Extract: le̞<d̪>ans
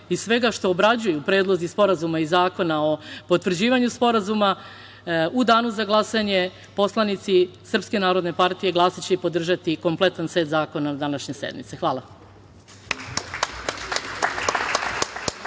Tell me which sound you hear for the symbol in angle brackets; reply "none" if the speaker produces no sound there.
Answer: t̪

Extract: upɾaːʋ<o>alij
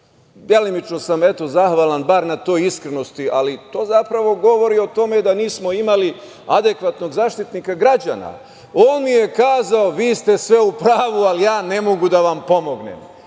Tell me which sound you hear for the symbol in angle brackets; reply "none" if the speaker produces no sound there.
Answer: u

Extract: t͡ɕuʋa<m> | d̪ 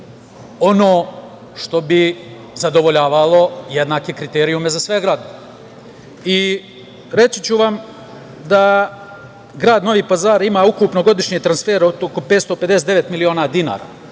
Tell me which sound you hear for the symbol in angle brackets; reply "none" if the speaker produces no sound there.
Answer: m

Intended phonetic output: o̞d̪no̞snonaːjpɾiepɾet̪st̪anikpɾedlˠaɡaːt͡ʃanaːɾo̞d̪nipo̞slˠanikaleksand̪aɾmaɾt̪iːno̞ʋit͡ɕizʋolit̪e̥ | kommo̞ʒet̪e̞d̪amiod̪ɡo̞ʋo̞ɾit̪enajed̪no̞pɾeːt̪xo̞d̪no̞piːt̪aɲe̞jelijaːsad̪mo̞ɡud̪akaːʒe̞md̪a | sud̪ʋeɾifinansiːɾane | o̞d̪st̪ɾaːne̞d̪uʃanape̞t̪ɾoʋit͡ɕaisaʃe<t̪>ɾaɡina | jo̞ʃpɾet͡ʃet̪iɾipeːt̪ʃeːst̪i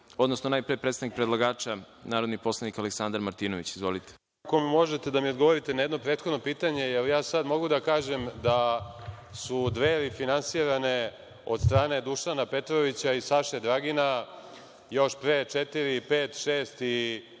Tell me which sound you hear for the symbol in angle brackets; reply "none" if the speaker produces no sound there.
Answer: d̪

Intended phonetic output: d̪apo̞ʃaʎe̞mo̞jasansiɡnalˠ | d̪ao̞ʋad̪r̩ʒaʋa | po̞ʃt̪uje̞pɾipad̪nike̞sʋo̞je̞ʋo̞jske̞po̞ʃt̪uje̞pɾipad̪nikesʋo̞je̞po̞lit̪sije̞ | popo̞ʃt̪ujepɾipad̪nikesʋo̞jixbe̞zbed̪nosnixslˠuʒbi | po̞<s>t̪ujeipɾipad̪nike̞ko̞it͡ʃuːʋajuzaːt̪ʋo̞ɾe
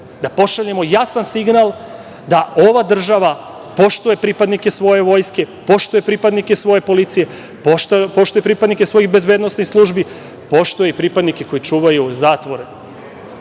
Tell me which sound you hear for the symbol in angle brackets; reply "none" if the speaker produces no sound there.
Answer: ʃ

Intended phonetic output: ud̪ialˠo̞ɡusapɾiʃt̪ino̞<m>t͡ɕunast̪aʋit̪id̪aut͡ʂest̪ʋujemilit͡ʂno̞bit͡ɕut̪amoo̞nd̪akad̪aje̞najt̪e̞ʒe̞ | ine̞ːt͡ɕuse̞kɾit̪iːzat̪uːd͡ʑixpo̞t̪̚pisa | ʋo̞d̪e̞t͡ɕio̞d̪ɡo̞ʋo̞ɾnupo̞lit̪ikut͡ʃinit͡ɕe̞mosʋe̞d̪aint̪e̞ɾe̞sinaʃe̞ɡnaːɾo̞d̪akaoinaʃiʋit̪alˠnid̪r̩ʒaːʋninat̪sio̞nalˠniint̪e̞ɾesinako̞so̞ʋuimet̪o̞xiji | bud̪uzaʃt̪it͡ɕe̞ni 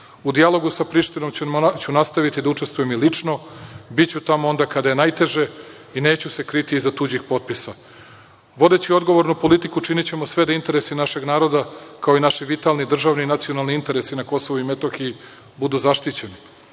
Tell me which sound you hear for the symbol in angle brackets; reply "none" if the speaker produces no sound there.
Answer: m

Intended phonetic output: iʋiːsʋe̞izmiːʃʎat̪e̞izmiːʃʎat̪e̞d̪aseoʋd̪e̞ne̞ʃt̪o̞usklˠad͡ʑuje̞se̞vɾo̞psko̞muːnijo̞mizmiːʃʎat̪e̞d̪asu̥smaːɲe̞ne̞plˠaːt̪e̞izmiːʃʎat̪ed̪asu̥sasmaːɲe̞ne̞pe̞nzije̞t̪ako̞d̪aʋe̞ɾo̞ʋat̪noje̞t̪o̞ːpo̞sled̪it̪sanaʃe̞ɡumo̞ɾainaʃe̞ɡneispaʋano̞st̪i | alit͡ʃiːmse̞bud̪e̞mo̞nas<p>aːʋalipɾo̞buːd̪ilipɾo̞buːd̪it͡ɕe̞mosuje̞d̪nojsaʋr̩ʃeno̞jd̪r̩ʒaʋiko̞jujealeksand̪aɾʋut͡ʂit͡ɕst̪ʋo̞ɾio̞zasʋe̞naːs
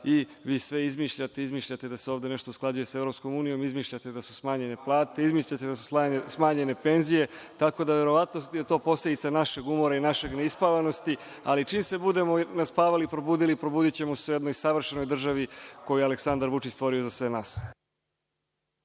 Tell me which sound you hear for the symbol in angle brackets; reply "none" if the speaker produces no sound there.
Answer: p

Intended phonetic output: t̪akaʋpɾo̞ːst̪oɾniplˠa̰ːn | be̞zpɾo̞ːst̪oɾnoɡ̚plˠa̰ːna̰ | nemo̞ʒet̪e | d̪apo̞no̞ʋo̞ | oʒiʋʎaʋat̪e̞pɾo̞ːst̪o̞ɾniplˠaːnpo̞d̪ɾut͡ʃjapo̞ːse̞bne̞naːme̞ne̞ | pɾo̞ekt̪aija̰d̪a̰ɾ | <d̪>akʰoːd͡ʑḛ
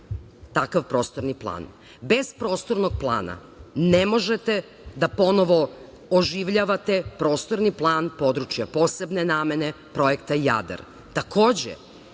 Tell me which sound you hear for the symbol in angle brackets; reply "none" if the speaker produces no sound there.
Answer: t̪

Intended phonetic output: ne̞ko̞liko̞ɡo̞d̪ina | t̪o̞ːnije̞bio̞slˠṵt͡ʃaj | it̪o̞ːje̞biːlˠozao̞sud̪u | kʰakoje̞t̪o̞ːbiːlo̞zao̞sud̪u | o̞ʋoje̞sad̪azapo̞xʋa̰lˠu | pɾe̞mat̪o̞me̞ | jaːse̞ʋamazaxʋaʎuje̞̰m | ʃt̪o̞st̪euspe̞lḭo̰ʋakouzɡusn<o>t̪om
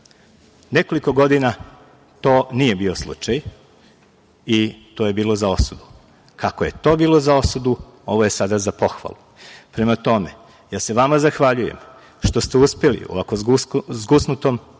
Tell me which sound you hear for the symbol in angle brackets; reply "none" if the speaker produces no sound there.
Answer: u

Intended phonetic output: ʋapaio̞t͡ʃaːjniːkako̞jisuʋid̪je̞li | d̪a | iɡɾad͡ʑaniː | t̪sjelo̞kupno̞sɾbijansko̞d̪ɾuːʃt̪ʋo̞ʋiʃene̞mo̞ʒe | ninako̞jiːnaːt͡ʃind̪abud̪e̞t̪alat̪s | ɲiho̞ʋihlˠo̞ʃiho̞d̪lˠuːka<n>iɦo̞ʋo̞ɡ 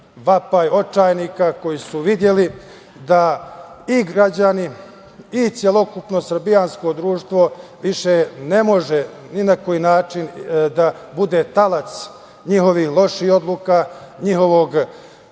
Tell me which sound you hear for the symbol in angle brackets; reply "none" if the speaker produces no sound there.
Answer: ɲ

